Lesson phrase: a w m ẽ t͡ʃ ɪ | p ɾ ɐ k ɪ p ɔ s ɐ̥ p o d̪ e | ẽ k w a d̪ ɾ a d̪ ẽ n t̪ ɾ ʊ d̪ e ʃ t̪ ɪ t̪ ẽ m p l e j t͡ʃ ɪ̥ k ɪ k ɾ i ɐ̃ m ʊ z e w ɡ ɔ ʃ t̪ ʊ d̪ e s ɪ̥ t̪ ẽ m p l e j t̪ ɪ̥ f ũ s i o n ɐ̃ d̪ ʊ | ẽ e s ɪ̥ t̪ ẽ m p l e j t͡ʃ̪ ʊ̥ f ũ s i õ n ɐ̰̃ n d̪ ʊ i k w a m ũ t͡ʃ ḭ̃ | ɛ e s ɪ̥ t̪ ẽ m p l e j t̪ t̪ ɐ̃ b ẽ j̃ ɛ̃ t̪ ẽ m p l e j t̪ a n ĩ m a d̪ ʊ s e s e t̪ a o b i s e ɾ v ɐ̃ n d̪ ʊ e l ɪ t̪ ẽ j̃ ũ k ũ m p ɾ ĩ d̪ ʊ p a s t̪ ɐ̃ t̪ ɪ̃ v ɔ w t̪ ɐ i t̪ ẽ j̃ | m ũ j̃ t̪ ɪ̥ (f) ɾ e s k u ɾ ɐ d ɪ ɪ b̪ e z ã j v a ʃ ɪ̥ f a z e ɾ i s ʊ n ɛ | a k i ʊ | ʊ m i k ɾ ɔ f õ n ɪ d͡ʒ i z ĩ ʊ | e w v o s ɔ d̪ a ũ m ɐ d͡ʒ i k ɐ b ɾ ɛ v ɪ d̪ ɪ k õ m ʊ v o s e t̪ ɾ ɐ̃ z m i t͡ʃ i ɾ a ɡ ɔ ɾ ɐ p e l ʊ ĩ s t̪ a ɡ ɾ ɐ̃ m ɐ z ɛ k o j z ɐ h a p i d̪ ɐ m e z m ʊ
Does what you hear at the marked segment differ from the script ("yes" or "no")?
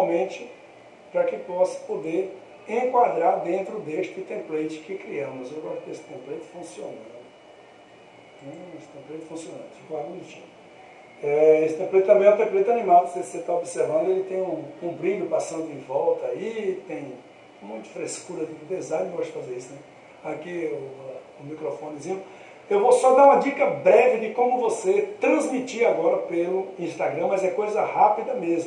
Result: no